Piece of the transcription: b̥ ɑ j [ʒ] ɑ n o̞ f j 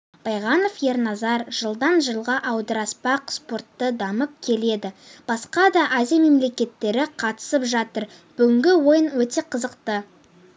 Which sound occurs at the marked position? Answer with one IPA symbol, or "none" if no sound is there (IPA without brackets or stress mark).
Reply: ʁ